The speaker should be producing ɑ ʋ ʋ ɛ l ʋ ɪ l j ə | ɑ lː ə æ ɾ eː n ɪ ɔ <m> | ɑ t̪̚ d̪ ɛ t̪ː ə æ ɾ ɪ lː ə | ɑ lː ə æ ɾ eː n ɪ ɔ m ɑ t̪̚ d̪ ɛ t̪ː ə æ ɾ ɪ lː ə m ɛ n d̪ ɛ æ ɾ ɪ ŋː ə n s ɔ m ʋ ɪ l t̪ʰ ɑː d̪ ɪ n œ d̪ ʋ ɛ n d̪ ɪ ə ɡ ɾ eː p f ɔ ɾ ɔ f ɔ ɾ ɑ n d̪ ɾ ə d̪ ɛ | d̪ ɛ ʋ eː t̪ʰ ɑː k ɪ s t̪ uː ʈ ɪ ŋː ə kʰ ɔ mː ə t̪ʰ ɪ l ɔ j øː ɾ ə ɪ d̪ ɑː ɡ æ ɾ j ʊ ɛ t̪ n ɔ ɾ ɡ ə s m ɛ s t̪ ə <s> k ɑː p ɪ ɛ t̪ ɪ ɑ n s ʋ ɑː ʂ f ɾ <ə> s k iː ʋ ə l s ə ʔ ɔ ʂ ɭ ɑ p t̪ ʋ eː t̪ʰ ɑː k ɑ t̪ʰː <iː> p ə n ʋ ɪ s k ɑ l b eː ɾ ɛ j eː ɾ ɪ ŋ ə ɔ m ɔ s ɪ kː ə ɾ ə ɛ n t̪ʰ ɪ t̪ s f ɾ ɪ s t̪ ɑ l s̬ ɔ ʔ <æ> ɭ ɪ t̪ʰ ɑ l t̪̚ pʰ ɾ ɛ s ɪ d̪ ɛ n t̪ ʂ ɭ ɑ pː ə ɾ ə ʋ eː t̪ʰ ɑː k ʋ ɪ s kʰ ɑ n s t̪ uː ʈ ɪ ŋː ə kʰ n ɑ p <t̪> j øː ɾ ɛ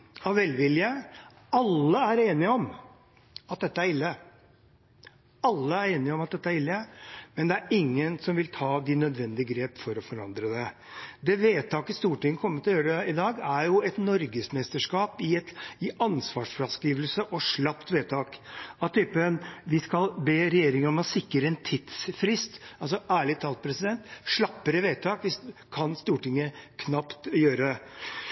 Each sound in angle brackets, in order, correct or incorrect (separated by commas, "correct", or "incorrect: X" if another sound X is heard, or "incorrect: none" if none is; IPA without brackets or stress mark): correct, incorrect: ʂ, incorrect: ɑ, incorrect: yː, incorrect: æː, correct